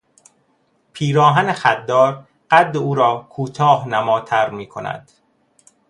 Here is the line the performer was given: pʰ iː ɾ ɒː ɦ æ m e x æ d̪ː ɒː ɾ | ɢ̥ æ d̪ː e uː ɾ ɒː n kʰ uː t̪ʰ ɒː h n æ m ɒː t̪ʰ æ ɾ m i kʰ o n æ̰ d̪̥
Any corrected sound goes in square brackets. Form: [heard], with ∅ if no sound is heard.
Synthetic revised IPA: pʰ iː ɾ ɒː ɦ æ [n] e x æ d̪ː ɒː ɾ | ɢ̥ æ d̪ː e uː ɾ ɒː [∅] kʰ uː t̪ʰ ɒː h n æ m ɒː t̪ʰ æ ɾ m [iː] kʰ o n æ̰ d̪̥